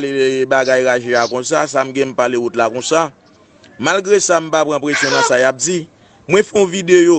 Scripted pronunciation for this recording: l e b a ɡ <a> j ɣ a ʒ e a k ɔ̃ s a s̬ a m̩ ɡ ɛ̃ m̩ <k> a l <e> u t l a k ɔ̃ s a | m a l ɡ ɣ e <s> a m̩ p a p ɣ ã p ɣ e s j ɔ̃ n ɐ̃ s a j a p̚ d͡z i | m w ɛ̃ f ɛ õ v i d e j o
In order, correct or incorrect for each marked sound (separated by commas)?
correct, incorrect, correct, correct